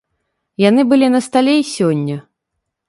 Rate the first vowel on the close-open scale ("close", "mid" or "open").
open